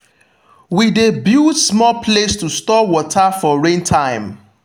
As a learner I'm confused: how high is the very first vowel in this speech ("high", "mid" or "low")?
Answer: high